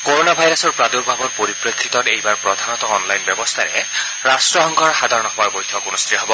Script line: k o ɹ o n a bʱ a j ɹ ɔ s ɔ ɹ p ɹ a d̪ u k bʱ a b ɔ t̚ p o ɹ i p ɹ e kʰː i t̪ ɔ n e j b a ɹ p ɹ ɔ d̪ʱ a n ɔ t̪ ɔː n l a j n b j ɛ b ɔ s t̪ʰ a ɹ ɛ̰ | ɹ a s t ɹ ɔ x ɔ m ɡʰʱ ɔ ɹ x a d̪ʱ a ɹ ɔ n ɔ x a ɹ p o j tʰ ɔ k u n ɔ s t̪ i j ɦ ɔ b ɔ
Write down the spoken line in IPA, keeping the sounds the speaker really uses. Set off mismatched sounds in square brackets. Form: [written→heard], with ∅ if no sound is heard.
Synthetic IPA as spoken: k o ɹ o n a bʱ a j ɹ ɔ s ɔ ɹ p ɹ a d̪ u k bʱ a b ɔ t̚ p o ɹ i p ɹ e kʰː i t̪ ɔ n e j b a ɹ p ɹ ɔ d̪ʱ a n ɔ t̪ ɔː n l a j n b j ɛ b ɔ s t̪ʰ a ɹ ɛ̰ | ɹ a s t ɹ ɔ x ɔ [m→ŋ] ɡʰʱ ɔ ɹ x a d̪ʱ a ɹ ɔ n ɔ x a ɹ [p→b] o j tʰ ɔ k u n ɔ s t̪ i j ɦ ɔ b ɔ